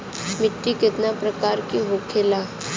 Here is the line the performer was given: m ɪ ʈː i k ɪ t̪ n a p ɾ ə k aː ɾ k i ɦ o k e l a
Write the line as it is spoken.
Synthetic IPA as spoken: m ɪ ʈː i k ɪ t̪ n a p ɾ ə k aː ɾ k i ɦ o kʰ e l a